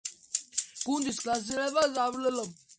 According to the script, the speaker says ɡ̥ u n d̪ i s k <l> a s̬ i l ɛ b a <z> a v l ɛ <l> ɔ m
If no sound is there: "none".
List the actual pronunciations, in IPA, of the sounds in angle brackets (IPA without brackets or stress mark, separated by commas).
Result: l, z, l